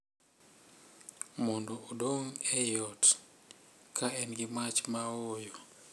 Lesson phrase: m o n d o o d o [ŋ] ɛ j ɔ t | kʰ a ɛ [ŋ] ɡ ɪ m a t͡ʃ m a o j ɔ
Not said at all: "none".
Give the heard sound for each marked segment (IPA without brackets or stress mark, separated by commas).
ŋ, n